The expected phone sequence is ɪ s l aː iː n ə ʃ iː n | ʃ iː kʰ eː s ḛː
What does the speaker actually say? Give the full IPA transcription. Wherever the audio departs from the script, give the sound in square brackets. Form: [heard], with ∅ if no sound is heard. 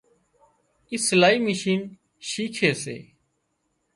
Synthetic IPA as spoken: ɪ s l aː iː [m] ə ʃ iː n | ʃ iː kʰ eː s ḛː